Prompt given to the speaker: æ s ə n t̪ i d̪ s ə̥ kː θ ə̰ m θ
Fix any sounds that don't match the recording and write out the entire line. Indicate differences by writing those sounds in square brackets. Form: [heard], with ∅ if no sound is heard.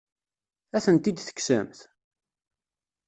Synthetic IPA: æ [θ] ə n t̪ i d̪ [θ] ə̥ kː [s] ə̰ m θ

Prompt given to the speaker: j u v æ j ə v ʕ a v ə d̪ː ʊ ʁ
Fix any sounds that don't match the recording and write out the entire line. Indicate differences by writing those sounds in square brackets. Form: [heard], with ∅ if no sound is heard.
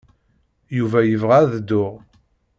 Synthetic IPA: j u v æ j ə v [ʁ] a [ð] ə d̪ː ʊ ʁ

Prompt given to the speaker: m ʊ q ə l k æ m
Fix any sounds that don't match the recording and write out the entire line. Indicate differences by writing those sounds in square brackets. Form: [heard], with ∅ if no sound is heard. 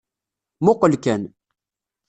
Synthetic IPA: m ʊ q ə l k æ [n]

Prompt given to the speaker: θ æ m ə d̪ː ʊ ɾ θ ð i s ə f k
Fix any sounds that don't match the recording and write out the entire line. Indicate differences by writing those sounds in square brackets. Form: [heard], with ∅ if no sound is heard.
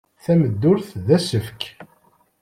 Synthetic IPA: θ æ m ə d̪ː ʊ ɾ θ ð [æ] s ə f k

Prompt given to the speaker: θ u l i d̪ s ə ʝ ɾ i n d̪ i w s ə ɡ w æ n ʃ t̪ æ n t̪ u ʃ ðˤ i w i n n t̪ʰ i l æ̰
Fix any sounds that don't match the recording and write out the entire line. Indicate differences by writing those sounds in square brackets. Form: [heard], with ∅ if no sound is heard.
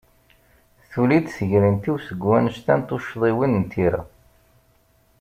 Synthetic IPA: θ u l i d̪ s ə ʝ ɾ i n [t̪] i w s ə ɡ w æ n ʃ t̪ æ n t̪ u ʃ ðˤ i w i n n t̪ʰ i [ɾ] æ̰

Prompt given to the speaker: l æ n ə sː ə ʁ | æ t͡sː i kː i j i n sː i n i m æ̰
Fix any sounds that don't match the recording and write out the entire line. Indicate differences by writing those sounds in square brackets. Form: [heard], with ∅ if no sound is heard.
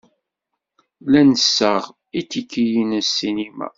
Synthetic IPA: l æ n ə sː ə ʁ | [i] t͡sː i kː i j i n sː i n i m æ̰

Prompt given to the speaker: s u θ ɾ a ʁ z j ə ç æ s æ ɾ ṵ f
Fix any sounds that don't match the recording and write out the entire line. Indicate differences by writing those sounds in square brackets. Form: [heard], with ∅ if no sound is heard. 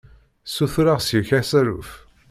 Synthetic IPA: s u θ ɾ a ʁ [s] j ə ç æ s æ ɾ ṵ f

